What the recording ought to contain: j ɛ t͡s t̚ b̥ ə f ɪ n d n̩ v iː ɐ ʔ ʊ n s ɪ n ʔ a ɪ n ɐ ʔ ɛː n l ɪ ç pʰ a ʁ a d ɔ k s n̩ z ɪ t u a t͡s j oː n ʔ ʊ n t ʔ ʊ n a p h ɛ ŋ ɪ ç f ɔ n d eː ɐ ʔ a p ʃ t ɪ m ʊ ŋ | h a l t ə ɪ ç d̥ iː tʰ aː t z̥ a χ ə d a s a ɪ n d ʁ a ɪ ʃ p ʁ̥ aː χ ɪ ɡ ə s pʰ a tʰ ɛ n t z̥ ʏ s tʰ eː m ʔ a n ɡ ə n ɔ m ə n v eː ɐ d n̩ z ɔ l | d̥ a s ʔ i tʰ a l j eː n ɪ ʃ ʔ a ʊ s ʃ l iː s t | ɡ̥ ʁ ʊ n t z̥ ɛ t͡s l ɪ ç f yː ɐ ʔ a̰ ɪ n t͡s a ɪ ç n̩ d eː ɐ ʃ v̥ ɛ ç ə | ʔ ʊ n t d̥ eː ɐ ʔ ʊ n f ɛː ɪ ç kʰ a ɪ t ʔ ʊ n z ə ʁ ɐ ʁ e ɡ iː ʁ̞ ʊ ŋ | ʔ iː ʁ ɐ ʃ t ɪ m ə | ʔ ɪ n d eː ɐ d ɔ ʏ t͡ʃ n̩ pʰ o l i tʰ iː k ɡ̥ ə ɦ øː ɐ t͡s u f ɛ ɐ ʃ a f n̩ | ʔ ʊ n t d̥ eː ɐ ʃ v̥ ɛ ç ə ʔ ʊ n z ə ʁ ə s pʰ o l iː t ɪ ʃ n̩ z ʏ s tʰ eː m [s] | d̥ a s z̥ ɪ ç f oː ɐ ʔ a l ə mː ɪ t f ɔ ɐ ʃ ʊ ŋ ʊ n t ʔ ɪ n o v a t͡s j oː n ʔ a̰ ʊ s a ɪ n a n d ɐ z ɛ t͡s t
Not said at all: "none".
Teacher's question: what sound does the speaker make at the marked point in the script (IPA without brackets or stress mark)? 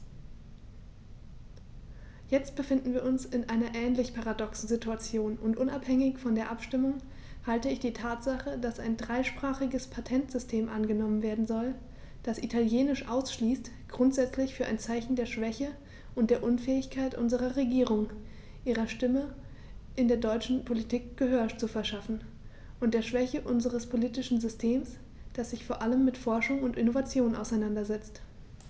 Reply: s